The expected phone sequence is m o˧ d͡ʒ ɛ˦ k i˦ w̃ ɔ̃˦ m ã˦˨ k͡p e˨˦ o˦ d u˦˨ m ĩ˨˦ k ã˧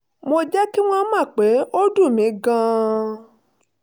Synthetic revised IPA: m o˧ d͡ʒ ɛ˦ k i˦ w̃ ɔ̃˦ m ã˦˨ k͡p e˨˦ o˦ d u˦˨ m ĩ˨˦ ɡ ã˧